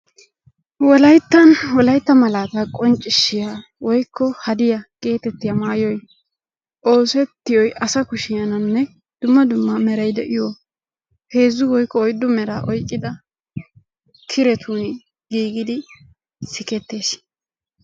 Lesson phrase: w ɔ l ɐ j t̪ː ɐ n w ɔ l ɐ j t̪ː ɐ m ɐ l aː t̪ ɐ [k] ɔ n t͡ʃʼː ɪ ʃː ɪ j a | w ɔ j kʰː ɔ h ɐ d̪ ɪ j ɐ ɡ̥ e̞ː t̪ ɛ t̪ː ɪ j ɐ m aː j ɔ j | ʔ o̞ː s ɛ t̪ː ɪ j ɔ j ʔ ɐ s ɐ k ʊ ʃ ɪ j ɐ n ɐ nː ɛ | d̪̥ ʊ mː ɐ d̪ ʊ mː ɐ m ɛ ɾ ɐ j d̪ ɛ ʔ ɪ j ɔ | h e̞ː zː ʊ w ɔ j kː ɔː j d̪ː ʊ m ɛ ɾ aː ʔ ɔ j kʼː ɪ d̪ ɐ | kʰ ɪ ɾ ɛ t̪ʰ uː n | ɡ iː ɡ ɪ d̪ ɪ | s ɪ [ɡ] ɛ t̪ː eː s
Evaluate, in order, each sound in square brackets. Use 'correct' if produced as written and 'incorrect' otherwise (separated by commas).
incorrect, incorrect